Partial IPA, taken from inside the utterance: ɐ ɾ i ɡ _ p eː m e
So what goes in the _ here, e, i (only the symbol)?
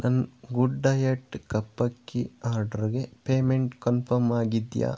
e